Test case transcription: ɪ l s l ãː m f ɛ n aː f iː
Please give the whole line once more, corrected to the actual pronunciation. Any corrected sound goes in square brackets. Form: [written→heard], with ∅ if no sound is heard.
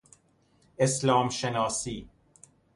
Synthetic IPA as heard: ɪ [l→∅] s l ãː m [f→ʃ] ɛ n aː [f→s] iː